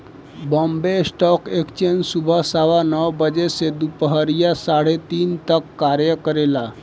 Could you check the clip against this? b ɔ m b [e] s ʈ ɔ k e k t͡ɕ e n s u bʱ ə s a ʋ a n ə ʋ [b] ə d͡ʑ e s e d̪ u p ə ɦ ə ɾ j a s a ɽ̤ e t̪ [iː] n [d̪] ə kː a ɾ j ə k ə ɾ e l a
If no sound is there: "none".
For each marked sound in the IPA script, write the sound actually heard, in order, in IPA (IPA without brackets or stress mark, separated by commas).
e, b, iː, t̪